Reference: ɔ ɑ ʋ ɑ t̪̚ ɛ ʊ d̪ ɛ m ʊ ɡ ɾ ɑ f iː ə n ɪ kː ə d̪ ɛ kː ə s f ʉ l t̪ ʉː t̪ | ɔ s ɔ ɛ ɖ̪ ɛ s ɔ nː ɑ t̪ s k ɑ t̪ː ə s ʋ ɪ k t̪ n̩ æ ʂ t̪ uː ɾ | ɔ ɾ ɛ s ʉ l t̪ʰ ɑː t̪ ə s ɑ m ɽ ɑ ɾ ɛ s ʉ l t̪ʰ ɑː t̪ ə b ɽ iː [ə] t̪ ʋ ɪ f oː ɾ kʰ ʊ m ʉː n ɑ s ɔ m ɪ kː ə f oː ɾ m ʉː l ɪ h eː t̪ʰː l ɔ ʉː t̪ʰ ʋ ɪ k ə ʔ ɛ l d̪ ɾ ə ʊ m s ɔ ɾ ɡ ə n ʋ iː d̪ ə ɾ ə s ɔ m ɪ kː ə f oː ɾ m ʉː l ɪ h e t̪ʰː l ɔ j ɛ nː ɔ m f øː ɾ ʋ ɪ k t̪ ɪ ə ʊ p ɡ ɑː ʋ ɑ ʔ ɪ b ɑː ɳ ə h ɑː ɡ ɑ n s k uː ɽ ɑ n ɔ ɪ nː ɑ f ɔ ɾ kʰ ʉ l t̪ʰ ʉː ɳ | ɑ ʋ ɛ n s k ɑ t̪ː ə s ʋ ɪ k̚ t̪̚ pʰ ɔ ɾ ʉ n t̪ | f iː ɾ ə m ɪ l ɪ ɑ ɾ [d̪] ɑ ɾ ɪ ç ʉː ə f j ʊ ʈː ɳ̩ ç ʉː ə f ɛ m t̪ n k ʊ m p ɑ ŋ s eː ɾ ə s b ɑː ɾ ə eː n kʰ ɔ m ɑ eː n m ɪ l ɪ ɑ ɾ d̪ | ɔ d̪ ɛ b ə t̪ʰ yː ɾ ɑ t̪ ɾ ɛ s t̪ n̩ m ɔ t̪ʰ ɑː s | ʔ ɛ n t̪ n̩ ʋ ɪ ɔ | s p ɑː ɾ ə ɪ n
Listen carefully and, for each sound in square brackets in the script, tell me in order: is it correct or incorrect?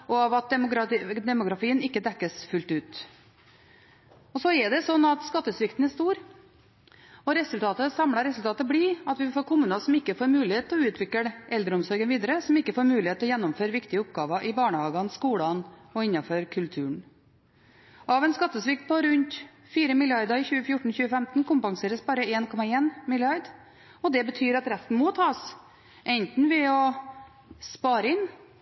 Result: incorrect, correct

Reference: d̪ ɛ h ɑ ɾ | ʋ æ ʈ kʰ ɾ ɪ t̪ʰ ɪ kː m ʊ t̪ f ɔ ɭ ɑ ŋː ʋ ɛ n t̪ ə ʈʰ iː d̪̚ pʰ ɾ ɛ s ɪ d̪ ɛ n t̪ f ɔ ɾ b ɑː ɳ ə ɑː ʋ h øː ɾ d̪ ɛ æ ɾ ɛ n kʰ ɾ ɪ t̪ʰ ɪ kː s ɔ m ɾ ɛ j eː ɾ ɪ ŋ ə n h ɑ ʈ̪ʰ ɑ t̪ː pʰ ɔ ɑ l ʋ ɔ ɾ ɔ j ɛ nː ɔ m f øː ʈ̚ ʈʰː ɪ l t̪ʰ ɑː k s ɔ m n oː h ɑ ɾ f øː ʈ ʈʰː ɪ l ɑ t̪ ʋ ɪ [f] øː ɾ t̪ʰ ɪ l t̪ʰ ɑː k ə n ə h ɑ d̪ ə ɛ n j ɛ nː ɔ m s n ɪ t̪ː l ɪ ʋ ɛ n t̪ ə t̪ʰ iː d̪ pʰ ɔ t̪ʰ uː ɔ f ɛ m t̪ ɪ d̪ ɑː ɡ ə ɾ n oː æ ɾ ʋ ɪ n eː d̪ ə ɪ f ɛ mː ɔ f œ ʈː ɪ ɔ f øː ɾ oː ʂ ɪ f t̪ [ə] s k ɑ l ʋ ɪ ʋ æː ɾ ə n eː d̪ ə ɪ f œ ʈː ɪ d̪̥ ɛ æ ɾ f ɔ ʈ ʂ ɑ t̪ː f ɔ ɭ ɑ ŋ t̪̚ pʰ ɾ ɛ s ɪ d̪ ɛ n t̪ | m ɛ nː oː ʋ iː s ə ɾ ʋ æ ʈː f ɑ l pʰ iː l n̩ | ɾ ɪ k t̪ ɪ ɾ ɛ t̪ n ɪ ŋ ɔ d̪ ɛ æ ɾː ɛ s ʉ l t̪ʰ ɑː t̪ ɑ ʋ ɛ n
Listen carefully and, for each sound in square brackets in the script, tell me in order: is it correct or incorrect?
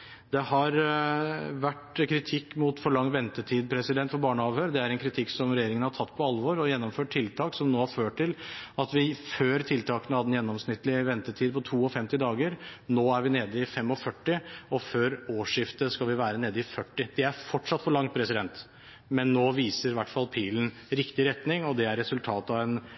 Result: correct, correct

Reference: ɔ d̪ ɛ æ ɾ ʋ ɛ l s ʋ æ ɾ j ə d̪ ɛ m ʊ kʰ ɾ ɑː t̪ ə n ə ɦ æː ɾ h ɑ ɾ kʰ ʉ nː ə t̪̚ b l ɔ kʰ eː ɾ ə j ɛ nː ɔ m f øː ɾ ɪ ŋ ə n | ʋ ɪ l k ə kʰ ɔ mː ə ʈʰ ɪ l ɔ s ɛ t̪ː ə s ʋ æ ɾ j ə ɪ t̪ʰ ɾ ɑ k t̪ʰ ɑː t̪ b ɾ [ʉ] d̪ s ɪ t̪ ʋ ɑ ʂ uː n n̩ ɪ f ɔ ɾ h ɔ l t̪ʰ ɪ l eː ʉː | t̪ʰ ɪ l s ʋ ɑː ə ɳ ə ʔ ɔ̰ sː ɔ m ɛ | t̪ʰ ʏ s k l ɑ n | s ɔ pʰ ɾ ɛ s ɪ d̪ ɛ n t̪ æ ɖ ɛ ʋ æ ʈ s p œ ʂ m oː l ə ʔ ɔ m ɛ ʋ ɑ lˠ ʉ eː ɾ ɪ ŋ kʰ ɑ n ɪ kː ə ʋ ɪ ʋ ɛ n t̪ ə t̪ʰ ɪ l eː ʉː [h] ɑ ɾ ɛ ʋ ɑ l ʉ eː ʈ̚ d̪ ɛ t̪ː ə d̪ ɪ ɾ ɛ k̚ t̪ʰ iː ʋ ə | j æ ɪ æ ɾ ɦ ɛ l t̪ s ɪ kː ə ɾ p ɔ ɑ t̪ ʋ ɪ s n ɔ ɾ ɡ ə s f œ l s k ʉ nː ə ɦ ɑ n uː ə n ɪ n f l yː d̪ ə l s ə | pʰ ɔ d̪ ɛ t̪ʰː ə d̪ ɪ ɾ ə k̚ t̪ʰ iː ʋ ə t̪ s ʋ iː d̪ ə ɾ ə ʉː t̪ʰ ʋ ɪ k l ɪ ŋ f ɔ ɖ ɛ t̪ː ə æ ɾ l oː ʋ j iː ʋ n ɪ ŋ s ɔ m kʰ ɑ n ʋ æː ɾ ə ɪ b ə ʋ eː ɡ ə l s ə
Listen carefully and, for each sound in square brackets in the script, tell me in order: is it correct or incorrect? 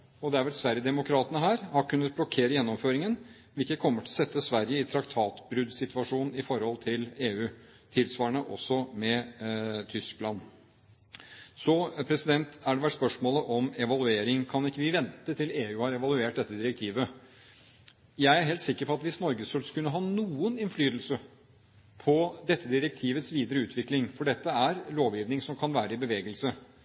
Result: correct, correct

